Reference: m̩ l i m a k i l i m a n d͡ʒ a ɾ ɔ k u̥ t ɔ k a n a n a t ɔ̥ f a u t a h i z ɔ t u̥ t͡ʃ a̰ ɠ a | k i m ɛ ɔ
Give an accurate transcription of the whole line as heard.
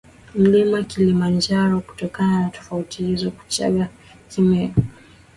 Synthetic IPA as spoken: m̩ l i m a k i l i m a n d͡ʒ a ɾ ɔ k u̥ t ɔ k a n a n a t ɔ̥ f a u t i h i z ɔ k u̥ t͡ʃ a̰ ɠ a | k i m ɛ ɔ